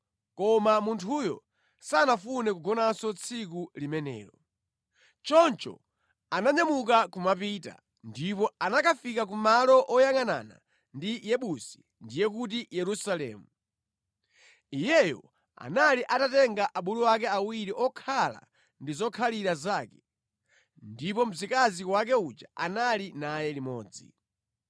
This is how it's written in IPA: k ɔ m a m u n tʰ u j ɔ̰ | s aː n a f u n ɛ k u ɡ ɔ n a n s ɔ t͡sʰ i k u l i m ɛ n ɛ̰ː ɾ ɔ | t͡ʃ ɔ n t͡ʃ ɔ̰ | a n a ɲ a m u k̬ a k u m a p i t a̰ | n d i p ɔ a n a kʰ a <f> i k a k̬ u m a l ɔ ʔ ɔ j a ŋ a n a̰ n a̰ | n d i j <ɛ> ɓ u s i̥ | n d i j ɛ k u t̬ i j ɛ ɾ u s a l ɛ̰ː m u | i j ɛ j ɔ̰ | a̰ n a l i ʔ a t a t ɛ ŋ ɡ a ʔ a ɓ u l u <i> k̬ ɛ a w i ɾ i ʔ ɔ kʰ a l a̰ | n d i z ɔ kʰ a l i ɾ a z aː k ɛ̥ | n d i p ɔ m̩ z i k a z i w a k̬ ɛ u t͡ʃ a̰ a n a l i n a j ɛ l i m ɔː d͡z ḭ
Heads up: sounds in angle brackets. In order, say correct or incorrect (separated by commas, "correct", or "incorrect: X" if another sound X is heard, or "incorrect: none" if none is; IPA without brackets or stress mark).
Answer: correct, correct, incorrect: a